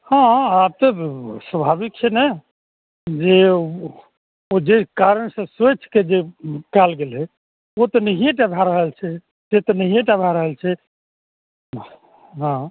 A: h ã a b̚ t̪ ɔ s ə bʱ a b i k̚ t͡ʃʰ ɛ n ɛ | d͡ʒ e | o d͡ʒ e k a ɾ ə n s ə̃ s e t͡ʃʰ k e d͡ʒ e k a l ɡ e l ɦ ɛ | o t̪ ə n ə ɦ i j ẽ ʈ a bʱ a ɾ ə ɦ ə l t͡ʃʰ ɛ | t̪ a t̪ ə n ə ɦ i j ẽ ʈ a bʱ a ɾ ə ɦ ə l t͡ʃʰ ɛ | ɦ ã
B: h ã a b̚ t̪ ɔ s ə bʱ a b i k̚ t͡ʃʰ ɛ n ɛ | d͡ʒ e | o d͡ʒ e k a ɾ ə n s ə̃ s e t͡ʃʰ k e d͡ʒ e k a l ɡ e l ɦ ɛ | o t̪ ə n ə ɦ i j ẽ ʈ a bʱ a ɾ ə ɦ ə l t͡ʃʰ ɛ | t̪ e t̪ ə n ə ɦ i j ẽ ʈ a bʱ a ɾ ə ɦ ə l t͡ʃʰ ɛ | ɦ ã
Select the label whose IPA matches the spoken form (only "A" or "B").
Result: B